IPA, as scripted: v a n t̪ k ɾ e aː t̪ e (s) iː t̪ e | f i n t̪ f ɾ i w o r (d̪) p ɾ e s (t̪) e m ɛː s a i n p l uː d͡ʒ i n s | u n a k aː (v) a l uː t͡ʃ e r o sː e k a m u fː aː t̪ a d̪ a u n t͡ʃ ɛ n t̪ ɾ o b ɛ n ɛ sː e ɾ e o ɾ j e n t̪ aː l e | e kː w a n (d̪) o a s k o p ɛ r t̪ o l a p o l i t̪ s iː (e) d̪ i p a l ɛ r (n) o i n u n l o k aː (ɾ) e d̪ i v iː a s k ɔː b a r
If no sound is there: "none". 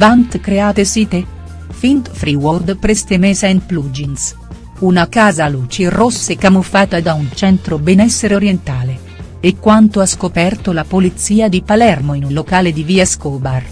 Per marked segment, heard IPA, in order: s, d̪, t̪, z, t̪, a, m, l

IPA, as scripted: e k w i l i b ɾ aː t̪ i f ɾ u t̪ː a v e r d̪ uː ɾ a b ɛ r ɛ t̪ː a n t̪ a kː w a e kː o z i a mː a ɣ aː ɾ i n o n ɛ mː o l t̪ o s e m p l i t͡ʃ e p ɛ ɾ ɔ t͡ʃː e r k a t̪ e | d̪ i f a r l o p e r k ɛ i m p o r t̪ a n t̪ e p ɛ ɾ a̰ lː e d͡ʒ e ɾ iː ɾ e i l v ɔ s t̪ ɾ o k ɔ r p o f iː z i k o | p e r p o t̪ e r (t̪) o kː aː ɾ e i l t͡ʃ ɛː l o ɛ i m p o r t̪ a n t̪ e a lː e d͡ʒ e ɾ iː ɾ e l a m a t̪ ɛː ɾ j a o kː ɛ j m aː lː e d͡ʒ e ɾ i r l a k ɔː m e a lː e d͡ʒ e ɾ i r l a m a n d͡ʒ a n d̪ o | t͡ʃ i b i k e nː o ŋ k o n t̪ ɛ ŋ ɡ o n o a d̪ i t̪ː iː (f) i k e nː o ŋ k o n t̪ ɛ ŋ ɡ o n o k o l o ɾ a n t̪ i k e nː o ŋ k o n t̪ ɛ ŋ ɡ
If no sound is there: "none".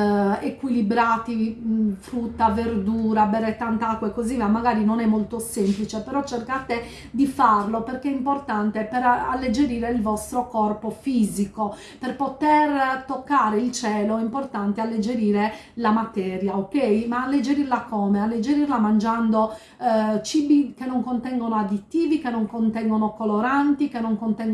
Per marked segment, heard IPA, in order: t̪, v

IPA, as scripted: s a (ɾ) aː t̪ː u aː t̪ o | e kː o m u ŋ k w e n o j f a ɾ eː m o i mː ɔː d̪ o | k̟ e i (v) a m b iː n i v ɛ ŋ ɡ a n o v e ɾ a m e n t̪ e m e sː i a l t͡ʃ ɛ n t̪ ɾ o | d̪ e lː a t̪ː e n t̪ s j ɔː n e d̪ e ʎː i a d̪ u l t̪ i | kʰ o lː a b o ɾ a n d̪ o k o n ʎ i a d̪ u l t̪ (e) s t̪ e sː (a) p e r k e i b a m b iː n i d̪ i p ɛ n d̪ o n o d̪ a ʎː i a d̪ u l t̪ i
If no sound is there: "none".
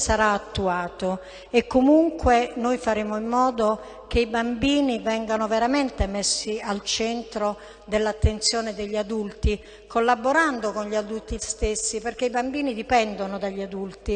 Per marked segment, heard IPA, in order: ɾ, b, i, i

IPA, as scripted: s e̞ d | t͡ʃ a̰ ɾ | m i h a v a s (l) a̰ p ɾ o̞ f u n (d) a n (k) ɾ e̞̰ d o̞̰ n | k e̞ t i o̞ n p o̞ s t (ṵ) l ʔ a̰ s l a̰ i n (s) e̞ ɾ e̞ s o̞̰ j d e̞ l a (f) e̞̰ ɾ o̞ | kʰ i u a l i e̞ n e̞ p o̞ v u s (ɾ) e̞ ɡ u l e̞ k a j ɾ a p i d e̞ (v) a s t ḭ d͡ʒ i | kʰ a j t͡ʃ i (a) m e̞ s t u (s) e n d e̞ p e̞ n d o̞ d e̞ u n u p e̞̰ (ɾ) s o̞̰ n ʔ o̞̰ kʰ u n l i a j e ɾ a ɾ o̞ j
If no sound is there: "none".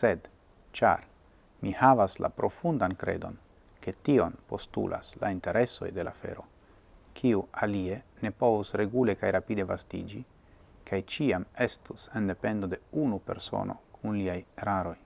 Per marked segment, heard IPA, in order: l, d, k, ṵ, t, f, ɾ, v, a, s, ɾ

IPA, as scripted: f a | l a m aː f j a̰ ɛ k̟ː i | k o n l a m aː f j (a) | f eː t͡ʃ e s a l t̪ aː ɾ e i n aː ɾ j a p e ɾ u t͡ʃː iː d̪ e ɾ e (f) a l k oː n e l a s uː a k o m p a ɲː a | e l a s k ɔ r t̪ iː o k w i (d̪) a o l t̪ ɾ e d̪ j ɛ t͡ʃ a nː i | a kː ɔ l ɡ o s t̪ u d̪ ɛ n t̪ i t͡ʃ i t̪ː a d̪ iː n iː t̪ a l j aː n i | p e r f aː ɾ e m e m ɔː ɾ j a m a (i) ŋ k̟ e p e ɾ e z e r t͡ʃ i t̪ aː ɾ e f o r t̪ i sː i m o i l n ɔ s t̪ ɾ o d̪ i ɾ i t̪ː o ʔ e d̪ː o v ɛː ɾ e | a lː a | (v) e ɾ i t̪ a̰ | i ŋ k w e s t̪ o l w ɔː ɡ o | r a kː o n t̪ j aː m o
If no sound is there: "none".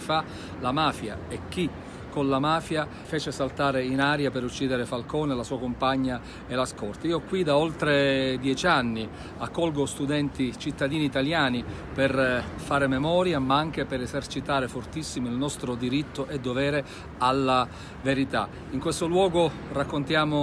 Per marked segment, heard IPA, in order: a, f, d̪, a, v

